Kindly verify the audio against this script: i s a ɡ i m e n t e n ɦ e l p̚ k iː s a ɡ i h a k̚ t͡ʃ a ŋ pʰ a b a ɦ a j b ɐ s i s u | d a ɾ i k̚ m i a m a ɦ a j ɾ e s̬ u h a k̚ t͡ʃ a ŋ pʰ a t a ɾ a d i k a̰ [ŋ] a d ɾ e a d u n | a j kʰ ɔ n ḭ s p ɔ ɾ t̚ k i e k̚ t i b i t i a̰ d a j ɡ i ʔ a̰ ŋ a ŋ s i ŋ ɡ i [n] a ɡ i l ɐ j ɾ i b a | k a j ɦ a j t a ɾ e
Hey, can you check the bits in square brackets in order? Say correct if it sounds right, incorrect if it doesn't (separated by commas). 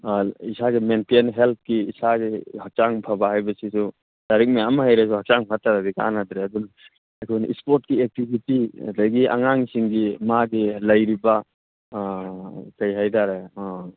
incorrect, incorrect